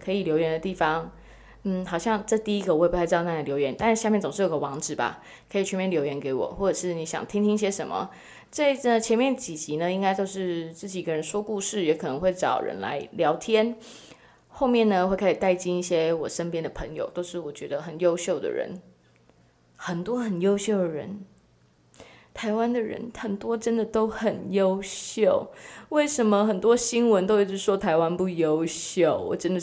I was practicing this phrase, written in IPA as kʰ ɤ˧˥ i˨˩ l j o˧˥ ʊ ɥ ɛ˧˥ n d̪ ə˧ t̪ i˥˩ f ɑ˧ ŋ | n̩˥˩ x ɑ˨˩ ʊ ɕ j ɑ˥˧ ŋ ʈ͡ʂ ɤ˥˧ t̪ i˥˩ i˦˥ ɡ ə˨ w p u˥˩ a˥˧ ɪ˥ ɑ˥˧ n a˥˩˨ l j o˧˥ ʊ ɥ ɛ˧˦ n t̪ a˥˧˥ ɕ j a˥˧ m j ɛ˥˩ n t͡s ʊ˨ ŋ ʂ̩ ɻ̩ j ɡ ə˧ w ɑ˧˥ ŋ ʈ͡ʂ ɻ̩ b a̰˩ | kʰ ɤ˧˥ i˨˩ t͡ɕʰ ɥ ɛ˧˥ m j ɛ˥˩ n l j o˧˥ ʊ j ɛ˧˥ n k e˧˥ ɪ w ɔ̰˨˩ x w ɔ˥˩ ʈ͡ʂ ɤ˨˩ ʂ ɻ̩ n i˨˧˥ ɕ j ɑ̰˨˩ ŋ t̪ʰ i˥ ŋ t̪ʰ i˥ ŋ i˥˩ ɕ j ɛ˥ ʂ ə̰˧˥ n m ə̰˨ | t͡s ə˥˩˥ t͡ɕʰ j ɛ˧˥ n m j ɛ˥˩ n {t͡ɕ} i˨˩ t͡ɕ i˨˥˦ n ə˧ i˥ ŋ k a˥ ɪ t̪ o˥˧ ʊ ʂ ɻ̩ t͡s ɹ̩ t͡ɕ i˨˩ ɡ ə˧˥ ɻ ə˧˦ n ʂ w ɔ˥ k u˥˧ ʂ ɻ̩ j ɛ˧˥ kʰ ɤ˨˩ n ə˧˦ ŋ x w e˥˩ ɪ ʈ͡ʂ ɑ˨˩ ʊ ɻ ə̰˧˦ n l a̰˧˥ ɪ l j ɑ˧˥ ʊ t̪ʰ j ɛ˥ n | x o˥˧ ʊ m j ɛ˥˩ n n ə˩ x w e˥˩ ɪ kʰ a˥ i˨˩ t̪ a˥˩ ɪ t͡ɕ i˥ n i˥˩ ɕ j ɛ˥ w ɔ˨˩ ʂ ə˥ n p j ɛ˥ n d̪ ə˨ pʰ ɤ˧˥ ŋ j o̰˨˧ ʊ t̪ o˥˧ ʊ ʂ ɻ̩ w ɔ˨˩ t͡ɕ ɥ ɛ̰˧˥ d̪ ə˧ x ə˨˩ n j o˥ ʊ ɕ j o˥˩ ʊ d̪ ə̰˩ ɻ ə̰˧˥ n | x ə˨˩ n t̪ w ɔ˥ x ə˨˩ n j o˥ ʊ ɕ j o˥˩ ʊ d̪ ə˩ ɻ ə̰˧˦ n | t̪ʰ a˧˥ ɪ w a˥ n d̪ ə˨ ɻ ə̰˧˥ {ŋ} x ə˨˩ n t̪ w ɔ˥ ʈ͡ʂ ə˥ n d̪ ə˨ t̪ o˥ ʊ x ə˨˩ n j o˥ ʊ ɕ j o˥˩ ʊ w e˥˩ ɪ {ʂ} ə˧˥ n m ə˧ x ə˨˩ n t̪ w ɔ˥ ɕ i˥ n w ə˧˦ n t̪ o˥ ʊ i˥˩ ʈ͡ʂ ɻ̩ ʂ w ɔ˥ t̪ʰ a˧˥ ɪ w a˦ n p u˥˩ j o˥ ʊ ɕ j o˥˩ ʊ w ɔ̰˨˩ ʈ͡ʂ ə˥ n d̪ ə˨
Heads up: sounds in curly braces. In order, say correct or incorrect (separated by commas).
correct, incorrect, correct